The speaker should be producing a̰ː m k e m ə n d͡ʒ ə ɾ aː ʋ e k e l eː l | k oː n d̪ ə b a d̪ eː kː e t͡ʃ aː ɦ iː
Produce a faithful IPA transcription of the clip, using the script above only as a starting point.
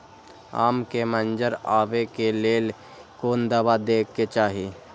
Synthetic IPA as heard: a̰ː m k e m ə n d͡ʒ ə ɾ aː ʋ e k e l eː l | k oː n d̪ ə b a d̪ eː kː e t͡ʃ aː ɦ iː

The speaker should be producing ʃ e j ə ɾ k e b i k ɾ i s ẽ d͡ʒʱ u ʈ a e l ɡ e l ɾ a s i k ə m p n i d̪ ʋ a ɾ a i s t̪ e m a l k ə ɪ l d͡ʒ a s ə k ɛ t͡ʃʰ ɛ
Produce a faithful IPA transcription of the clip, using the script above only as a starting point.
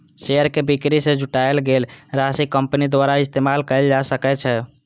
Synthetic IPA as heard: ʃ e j ə ɾ k e b i k ɾ i s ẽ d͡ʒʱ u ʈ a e l ɡ e l ɾ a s i k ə m p n i d̪ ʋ a ɾ a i s t̪ e m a l k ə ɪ l d͡ʒ a s ə k ɛ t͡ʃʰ ɛ

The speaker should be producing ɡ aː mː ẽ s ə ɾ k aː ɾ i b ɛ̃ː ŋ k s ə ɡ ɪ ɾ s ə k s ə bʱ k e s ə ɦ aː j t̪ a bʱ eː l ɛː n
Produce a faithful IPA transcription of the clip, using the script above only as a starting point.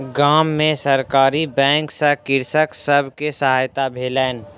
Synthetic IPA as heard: ɡ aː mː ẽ s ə ɾ k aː ɾ i b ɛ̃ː ŋ k s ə k ɪ ɾ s ə k s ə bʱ k e s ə ɦ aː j t̪ a bʱ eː l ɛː n

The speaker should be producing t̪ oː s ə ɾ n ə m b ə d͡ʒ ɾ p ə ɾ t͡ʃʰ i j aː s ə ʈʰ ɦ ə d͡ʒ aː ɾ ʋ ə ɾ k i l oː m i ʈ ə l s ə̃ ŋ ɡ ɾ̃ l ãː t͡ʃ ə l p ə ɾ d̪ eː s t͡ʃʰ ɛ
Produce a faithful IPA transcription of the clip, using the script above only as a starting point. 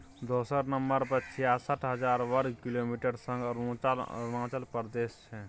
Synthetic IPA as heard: d̪ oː s ə ɾ n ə m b ə ɾ p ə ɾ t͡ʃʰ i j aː s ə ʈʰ ɦ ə d͡ʒ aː ɾ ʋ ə ɾ k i l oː m i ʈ ə ɾ s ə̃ ŋ ɡ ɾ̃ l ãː t͡ʃ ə l p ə ɾ d̪ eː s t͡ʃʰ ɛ

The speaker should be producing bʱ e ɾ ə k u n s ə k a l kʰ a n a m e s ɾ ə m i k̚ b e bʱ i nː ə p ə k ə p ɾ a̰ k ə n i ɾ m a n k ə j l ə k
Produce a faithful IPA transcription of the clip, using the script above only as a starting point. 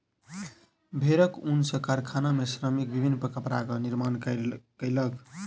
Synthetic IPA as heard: bʱ e ɾ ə k u n s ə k a ɾ kʰ a n a m e s ɾ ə m i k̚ b i bʱ i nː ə p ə k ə p ɾ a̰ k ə n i ɾ m a n k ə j l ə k

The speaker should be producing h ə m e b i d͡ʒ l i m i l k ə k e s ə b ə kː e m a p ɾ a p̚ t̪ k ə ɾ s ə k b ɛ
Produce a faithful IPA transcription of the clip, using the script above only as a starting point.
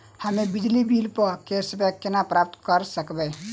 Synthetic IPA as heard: h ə m e b i d͡ʒ l i b i l p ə k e s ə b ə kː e n a p ɾ a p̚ t̪ k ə ɾ s ə k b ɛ

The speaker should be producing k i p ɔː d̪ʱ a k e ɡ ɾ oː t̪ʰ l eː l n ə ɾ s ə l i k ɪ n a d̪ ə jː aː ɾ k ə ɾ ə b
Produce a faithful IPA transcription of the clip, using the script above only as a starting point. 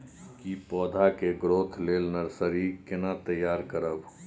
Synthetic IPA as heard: k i p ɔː d̪ʱ a k e ɡ ɾ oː t̪ʰ l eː l n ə ɾ s ə ɾ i k ɪ n a t̪ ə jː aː ɾ k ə ɾ ə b

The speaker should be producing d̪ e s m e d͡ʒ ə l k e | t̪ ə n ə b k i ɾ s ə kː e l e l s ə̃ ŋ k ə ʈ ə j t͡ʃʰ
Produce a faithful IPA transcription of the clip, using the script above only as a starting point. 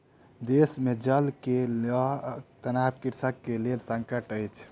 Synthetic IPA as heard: d̪ e s m e d͡ʒ ə l k e | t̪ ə n a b k i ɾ s ə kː e l e l s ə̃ ŋ k ə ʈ ə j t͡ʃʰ

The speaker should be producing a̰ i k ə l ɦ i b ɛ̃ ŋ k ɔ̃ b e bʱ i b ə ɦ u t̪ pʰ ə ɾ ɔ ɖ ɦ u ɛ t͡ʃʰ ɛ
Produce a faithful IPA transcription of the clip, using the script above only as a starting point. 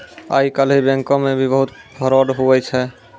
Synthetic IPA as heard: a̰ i k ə l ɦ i b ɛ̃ ŋ k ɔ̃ m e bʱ i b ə ɦ u t̪ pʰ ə ɾ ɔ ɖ ɦ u ɛ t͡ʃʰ ɛ

